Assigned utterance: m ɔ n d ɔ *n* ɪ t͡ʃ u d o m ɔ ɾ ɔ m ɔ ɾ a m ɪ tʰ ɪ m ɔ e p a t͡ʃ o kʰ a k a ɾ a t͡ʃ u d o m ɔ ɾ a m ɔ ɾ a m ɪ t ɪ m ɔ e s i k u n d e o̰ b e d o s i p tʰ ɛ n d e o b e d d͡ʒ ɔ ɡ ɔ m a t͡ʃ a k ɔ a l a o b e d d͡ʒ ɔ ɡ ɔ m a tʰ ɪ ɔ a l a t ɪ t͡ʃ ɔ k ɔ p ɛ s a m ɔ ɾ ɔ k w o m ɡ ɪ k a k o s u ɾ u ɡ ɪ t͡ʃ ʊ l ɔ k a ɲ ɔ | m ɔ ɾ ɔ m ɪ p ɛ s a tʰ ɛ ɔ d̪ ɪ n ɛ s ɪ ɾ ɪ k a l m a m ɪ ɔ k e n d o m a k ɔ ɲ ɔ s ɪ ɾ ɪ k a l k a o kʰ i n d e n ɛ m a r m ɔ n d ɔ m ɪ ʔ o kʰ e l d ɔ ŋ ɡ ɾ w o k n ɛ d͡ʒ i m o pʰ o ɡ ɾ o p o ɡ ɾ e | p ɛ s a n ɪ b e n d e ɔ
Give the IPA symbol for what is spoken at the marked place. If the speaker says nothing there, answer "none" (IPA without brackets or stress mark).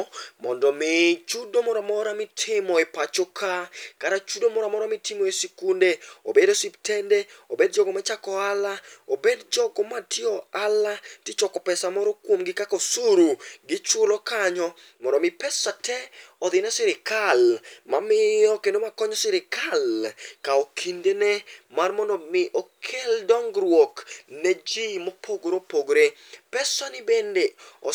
m